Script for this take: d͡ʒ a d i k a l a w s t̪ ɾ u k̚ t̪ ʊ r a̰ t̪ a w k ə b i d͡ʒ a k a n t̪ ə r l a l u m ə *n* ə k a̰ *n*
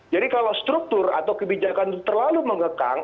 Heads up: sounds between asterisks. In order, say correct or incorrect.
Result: incorrect: ŋ, incorrect: ŋ

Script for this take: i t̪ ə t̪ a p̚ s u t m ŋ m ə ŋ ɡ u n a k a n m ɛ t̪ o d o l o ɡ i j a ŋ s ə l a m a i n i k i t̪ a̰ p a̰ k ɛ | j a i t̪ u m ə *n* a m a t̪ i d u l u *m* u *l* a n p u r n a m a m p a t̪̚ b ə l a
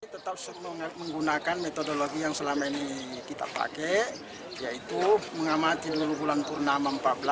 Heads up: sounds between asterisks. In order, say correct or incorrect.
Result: incorrect: ŋ, incorrect: b, correct

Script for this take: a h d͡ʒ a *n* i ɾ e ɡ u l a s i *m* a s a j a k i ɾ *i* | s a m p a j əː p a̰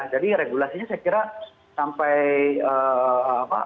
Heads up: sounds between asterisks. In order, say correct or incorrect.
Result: incorrect: d, incorrect: ɲ, incorrect: a

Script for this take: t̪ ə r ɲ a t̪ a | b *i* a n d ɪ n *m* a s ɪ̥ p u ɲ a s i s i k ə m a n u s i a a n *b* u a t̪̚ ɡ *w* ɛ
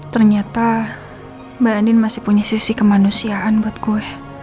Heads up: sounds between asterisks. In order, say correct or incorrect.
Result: incorrect: a, correct, correct, incorrect: u

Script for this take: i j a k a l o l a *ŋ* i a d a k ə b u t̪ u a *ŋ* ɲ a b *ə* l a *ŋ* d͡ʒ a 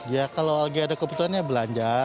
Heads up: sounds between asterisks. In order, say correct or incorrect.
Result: incorrect: ɡ, incorrect: n, correct, incorrect: ɲ

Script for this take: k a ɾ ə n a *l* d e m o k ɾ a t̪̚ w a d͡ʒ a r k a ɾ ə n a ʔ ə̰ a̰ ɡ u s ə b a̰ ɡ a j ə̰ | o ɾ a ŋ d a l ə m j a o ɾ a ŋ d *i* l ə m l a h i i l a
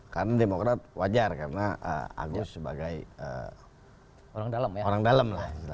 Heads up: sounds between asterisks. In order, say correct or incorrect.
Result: incorrect: none, incorrect: a

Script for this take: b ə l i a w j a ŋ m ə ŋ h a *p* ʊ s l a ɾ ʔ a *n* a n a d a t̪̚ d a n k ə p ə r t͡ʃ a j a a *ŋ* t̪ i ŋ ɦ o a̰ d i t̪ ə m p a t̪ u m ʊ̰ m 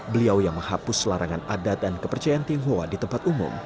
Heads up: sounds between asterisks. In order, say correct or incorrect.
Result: correct, incorrect: ŋ, incorrect: n

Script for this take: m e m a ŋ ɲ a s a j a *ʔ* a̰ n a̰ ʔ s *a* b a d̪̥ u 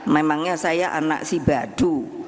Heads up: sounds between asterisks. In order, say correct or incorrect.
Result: correct, incorrect: i

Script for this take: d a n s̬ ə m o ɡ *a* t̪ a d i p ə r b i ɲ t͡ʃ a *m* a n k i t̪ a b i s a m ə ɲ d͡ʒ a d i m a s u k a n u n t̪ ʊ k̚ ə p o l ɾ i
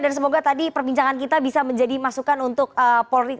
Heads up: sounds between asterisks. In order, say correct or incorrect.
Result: correct, incorrect: ŋ

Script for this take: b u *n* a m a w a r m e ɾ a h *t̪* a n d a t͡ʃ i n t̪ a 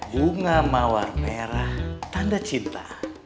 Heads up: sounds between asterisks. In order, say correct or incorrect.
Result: incorrect: ŋ, correct

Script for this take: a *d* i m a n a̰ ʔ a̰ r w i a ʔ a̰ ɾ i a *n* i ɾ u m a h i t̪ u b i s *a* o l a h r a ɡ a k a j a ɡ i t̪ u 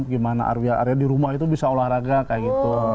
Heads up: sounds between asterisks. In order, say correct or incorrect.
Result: incorrect: ɡ, incorrect: d, correct

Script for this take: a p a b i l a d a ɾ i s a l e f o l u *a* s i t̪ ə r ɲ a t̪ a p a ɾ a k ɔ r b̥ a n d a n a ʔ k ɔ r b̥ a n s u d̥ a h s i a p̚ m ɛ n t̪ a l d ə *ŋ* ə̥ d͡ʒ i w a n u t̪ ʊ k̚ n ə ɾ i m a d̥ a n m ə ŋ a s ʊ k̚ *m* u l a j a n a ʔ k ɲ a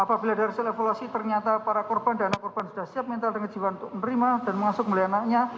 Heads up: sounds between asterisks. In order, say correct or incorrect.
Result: correct, correct, correct

